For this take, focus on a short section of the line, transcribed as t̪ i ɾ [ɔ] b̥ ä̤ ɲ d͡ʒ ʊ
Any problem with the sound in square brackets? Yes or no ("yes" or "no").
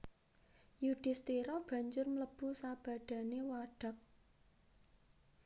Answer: no